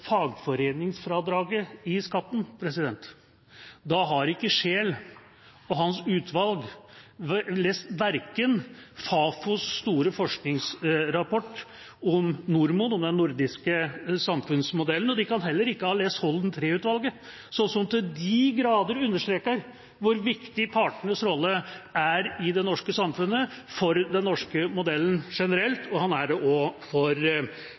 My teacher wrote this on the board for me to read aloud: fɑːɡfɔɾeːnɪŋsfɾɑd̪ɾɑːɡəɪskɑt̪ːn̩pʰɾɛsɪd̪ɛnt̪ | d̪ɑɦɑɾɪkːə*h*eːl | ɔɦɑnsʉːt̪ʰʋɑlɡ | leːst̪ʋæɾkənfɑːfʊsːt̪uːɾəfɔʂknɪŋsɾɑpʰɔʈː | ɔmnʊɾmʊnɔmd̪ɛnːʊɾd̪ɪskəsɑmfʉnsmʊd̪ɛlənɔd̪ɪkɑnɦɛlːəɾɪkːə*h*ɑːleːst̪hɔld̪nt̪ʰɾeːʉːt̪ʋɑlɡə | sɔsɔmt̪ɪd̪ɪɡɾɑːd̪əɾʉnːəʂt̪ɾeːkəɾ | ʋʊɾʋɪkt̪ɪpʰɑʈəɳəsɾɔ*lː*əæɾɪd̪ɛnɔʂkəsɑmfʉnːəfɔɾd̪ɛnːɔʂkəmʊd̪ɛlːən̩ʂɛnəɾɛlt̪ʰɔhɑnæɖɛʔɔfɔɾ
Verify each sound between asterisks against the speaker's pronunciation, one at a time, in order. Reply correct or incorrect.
incorrect: ʂ, correct, correct

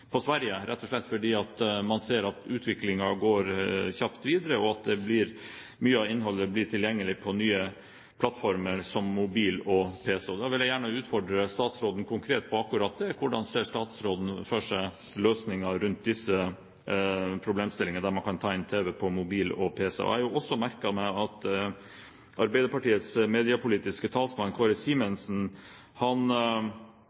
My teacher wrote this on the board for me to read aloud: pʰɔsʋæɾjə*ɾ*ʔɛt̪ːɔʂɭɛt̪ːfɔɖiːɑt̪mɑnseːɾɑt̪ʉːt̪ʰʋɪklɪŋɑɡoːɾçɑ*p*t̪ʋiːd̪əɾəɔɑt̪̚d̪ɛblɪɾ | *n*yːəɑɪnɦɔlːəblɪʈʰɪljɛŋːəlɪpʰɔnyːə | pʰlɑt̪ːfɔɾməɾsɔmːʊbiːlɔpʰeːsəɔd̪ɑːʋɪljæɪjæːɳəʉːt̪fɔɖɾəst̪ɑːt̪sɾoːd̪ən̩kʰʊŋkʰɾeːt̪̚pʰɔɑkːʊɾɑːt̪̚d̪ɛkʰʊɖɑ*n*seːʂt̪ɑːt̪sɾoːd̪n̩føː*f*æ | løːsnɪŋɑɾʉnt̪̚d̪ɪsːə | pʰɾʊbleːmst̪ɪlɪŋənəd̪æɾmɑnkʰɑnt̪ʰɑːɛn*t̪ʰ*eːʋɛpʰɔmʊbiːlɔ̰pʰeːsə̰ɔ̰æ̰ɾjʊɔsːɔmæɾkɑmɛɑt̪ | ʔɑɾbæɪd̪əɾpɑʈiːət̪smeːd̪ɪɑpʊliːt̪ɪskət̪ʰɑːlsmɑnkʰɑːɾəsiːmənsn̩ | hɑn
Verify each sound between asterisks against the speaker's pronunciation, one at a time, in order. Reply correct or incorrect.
correct, correct, incorrect: m, correct, incorrect: ʂ, correct

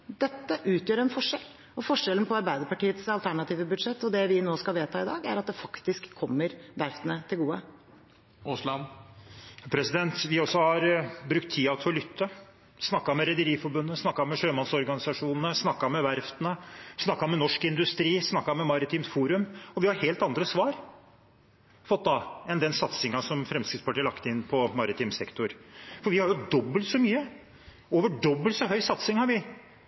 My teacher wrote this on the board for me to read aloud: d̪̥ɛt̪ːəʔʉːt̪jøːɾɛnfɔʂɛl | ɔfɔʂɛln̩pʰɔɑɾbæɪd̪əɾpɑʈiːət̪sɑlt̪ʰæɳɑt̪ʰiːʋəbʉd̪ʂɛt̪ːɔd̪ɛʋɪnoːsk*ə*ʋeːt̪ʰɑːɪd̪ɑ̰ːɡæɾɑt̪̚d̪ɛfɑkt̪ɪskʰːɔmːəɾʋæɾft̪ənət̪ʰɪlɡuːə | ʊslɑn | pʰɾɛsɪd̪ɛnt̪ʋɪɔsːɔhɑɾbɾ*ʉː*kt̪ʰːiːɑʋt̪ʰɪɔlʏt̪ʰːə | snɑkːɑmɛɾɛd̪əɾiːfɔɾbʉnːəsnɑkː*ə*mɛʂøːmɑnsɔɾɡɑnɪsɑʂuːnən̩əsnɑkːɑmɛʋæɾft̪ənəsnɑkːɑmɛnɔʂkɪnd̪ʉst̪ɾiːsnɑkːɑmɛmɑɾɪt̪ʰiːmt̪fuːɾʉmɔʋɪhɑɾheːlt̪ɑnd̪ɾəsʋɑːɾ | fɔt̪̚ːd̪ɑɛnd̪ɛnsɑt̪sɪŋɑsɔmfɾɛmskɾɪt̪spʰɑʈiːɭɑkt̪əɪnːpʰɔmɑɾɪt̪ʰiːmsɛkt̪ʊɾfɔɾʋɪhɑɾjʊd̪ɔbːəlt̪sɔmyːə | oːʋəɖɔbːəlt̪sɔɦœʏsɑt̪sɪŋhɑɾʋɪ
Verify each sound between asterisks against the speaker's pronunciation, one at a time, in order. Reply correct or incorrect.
incorrect: ɑ, incorrect: ʉ, incorrect: ɑ

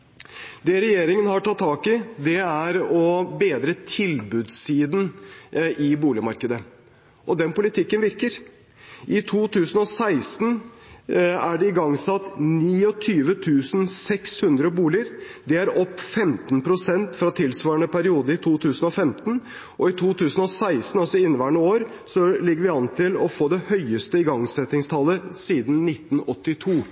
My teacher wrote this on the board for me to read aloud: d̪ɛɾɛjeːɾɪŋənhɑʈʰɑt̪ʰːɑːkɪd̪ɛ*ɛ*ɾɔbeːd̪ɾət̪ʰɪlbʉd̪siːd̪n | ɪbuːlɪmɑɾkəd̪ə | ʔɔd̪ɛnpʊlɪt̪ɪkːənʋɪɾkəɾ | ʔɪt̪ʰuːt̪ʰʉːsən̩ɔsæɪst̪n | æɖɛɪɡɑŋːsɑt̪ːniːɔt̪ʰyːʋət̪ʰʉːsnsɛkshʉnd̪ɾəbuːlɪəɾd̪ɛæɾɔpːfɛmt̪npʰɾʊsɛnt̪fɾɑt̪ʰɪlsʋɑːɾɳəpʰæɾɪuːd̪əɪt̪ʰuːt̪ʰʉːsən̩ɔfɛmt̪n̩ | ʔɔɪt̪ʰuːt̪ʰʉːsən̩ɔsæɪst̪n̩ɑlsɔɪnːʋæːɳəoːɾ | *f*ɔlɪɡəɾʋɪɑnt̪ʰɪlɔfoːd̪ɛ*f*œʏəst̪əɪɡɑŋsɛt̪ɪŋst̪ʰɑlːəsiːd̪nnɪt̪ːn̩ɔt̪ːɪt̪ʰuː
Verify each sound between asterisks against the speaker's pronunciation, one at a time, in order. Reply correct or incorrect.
incorrect: æ, incorrect: s, incorrect: h

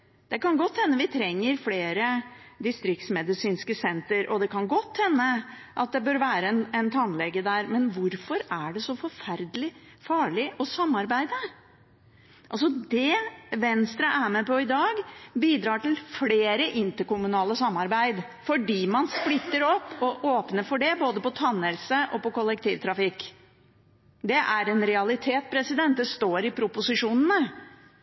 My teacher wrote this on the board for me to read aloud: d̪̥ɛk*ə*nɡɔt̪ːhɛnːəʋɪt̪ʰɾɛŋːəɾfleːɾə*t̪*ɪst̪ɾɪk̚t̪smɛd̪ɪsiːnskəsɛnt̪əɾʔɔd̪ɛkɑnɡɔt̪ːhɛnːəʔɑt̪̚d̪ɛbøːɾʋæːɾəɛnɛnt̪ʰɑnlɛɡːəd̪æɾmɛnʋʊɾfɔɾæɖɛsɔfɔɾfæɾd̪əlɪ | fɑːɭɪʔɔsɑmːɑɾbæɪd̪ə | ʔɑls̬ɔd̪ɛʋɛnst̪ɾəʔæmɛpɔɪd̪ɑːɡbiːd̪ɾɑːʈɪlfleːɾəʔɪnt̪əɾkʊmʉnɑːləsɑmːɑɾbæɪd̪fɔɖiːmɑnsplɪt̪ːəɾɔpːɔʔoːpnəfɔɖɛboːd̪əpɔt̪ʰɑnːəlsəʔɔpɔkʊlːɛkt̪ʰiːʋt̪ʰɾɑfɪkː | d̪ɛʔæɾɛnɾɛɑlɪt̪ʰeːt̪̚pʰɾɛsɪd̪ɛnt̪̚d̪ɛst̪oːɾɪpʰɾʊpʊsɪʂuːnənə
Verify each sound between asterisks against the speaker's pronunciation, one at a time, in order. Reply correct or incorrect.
incorrect: ɑ, incorrect: d̪

